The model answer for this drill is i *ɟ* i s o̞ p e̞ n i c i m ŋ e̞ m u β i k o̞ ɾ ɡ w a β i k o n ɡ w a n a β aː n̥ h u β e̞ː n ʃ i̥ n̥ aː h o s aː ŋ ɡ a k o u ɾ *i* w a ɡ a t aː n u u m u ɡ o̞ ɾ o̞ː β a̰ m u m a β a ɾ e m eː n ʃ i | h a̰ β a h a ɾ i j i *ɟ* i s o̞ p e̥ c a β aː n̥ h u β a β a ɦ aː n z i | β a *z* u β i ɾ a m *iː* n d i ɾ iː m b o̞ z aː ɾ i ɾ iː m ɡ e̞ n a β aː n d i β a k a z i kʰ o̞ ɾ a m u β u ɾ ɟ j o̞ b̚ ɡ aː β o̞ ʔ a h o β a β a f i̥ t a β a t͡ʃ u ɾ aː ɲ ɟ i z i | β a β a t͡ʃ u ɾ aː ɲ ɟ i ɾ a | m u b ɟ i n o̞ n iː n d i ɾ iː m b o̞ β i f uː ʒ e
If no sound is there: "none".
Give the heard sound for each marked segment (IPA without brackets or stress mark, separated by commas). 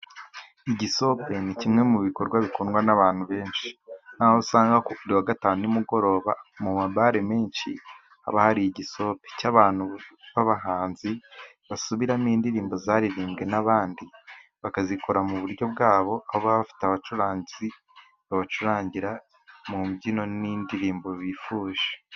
ɟ, i, ɟ, s, iː